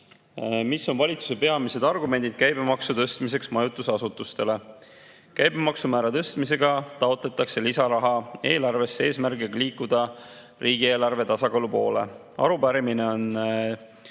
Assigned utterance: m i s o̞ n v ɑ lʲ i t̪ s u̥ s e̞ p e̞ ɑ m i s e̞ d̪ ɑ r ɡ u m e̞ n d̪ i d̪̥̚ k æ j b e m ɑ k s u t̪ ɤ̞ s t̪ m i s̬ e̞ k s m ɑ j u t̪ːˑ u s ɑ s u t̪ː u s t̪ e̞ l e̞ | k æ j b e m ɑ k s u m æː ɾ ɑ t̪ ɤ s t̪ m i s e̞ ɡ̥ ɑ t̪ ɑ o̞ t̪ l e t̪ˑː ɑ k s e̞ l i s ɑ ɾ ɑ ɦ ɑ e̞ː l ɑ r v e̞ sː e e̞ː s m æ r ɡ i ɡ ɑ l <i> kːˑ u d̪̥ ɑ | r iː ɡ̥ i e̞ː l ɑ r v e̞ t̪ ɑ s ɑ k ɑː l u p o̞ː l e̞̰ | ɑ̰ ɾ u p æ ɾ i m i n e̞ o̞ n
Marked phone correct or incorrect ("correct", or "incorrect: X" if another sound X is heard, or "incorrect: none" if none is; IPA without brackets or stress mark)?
incorrect: iː